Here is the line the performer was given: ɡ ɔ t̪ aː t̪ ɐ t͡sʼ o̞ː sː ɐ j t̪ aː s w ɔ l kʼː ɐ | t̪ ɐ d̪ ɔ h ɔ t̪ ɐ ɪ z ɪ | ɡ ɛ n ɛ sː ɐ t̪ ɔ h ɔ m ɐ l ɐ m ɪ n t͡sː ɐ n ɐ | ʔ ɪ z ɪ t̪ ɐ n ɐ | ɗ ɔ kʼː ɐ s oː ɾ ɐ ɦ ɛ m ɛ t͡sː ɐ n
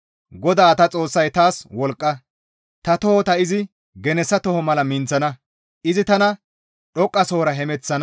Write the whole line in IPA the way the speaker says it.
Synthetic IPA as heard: ɡ ɔ d̪ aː t̪ ɐ t͡sʼ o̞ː sː ɐ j t̪ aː s w ɔ l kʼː ɐ | t̪ ɐ t̪ ɔ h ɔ t̪ ɐ ɪ z ɪ | ɡ ɛ n ɛ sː ɐ t̪ ɔ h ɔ m ɐ l ɐ m ɪ n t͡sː ɐ n ɐ | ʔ ɪ z ɪ t̪ ɐ n ɐ | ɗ ɔ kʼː ɐ s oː ɾ ɐ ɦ ɛ m ɛ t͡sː ɐ n